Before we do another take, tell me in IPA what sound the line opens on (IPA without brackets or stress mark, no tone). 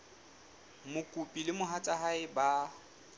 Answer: m